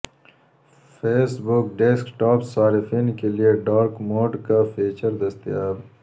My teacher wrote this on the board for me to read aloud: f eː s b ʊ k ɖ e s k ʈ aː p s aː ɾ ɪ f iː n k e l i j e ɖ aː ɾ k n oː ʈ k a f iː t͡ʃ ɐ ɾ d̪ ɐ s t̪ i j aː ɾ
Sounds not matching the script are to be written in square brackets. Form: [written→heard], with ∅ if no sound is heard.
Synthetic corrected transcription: f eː s b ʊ k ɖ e s k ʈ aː p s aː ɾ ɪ f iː n k e l i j e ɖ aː ɾ k [n→m] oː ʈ k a f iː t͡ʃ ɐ ɾ d̪ ɐ s t̪ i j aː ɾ